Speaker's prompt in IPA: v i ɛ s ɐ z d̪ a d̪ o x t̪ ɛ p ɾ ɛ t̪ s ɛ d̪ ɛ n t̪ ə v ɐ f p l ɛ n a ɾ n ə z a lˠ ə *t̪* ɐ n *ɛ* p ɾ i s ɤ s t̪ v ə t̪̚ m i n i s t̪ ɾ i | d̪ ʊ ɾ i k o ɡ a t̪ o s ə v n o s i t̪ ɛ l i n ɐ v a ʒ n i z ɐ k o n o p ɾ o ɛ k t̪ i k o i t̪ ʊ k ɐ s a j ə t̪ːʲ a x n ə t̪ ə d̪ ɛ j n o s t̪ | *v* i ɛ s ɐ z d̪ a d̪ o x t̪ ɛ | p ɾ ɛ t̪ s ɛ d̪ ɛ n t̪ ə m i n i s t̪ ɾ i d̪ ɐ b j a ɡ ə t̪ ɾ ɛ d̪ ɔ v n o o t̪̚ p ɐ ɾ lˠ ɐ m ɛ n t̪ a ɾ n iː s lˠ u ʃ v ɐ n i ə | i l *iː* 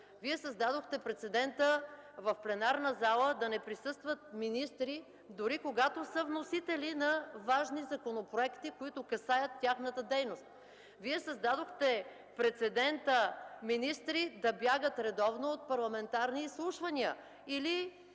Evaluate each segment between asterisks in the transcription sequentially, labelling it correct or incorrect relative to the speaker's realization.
incorrect: d̪, correct, correct, incorrect: i

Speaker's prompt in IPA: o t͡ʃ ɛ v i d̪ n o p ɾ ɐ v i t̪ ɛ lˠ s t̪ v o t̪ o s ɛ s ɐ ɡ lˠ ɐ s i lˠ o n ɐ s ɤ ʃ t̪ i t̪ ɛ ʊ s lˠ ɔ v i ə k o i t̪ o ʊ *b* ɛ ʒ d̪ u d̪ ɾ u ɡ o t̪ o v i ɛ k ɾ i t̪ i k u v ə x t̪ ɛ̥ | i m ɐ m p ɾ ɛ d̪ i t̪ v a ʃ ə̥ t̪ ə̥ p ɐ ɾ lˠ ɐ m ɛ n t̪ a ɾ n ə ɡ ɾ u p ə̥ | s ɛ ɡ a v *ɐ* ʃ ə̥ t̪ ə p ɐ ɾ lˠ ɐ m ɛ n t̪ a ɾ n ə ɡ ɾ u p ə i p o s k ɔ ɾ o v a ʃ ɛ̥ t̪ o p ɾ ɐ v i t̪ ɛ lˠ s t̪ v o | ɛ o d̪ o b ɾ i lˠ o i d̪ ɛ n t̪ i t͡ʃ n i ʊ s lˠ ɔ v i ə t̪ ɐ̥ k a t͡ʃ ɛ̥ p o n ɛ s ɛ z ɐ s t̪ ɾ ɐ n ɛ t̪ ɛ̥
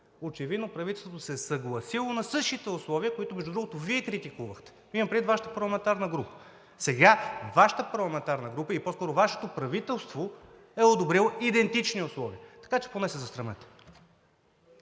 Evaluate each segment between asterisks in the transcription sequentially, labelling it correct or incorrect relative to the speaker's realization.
incorrect: m, incorrect: a

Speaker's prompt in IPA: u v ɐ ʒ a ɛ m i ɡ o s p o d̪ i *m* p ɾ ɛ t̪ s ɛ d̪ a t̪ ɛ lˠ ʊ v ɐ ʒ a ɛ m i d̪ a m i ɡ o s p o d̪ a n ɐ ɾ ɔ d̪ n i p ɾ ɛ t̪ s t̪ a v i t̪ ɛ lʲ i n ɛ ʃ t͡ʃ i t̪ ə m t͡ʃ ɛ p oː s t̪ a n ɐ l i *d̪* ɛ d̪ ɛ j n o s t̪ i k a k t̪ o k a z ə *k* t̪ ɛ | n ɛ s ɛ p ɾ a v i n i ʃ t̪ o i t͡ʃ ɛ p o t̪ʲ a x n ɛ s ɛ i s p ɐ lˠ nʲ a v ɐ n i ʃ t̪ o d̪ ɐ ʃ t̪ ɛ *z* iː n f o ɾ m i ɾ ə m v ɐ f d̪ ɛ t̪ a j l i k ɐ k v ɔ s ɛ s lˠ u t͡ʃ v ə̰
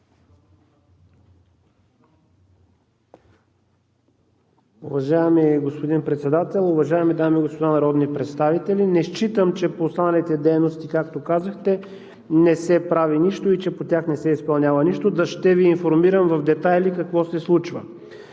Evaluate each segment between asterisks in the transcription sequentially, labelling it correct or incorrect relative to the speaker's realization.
incorrect: n, incorrect: t̪, incorrect: x, incorrect: v

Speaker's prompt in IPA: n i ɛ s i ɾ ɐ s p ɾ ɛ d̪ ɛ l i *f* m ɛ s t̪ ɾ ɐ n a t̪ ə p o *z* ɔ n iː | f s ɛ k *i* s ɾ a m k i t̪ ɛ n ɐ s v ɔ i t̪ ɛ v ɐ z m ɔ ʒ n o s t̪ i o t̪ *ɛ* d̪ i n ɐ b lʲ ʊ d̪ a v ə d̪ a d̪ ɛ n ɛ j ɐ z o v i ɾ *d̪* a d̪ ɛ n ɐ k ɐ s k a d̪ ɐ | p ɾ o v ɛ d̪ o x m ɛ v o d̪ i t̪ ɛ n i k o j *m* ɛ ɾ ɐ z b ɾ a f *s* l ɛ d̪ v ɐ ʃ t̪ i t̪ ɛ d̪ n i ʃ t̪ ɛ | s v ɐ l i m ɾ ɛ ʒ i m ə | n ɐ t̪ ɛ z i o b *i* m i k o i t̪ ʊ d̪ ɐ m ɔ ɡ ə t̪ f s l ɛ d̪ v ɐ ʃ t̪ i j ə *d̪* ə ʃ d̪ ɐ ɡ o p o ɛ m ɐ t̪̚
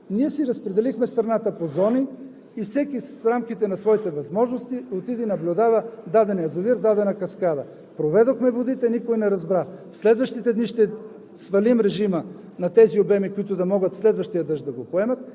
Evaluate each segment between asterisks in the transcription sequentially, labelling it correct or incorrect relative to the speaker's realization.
incorrect: x, correct, correct, incorrect: i, correct, incorrect: n, correct, incorrect: ɛ, correct

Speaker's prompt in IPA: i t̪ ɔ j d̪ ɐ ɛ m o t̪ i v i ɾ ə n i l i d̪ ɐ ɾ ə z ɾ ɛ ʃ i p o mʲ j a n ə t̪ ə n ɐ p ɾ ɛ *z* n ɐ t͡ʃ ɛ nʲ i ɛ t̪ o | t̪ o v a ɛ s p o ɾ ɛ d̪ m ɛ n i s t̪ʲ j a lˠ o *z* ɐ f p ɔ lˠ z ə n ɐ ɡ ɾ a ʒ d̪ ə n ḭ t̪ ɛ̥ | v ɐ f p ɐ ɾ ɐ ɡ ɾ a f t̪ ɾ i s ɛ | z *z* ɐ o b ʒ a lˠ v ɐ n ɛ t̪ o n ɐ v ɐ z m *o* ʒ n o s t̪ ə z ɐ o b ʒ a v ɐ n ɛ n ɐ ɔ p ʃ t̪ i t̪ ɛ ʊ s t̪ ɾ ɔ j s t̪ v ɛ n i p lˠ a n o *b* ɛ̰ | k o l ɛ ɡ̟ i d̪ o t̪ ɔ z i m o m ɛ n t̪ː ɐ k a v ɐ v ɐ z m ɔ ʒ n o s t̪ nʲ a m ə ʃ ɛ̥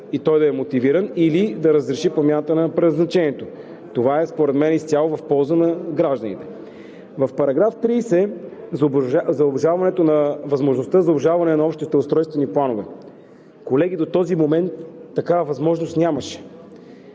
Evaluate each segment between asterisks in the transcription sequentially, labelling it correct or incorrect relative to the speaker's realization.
correct, incorrect: v, correct, correct, incorrect: v

